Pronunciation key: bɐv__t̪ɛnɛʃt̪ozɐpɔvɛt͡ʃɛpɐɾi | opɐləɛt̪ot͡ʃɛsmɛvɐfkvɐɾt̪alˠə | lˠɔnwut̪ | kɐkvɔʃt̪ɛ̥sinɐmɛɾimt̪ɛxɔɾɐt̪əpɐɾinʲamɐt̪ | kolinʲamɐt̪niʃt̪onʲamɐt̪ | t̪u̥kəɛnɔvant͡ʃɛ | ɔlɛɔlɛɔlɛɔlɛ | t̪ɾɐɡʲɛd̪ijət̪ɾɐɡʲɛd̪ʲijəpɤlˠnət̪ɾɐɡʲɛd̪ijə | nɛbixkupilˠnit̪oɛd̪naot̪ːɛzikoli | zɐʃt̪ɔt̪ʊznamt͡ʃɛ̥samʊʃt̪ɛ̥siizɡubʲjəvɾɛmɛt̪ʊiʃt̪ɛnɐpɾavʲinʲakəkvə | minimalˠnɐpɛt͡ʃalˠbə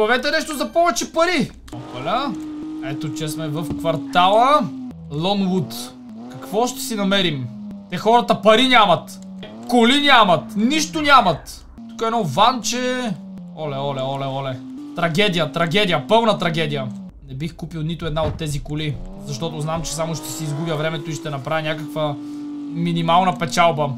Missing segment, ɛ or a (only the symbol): ɛ